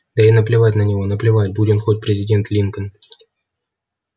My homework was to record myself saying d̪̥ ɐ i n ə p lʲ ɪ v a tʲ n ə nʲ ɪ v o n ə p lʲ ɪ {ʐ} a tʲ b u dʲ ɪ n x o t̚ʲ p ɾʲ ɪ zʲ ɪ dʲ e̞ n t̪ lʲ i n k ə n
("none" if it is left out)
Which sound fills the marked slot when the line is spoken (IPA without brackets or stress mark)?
v